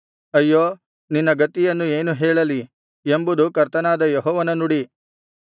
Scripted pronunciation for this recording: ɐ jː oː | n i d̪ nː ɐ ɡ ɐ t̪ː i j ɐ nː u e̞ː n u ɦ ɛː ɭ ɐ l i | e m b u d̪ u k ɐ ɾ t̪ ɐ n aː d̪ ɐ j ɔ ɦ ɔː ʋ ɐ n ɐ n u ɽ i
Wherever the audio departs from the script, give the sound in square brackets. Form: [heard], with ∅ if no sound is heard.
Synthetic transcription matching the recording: ɐ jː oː | n i [∅] nː ɐ ɡ ɐ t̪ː i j ɐ nː u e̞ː n u ɦ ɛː ɭ ɐ l i | e m b u d̪ u k ɐ ɾ t̪ ɐ n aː d̪ ɐ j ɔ ɦ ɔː ʋ ɐ n ɐ n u ɽ i